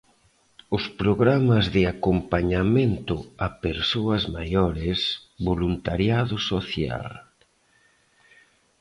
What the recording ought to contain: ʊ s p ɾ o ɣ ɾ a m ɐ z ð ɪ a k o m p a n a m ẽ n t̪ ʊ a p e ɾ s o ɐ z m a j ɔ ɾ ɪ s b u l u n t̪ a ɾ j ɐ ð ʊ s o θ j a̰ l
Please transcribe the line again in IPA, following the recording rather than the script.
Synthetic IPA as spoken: ʊ s p ɾ o ɣ ɾ a m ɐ z ð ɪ a k o m p a ɲ a m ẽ n t̪ ʊ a p e ɾ s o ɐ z m a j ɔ ɾ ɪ s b o l u n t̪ a ɾ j a ð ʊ s o θ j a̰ l